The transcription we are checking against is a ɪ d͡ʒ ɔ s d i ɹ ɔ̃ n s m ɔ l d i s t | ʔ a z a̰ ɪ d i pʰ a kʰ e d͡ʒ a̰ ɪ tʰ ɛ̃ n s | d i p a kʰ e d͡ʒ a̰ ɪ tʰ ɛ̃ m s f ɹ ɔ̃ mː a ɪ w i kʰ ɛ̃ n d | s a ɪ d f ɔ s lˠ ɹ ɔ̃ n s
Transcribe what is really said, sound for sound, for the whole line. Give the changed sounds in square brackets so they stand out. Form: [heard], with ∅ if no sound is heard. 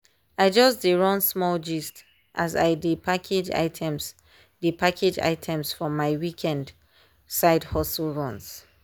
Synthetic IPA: a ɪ d͡ʒ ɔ s d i ɹ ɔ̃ n s m ɔ l [d͡ʒ] i s t | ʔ a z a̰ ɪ d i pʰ a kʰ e d͡ʒ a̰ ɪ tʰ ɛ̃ [m] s | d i p a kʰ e d͡ʒ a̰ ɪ tʰ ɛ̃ m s f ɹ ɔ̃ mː a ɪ w i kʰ ɛ̃ n d | s a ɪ d [h] ɔ s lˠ ɹ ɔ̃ n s